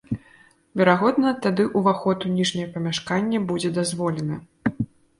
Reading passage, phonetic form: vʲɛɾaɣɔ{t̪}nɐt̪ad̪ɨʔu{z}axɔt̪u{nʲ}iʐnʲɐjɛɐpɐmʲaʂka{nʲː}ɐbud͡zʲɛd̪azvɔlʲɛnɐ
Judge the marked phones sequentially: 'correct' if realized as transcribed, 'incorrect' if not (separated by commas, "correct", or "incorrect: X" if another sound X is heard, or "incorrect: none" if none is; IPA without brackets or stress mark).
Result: incorrect: d̪, incorrect: v, correct, correct